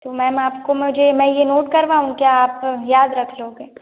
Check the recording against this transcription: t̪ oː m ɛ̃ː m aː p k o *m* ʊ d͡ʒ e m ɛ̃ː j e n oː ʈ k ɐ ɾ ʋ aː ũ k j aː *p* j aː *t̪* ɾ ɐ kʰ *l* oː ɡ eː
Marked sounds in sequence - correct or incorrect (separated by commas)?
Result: correct, correct, incorrect, correct